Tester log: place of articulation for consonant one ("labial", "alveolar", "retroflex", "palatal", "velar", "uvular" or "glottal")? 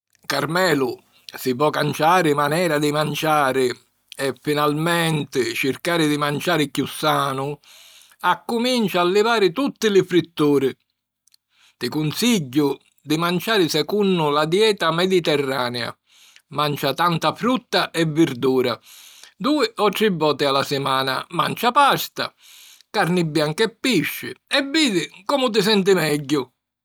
velar